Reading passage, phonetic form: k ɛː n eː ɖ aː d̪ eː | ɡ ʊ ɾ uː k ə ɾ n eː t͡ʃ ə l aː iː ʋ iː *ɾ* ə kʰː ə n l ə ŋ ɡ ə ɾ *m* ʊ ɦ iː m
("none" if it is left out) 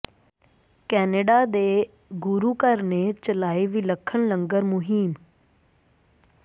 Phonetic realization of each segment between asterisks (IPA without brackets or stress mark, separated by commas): l, m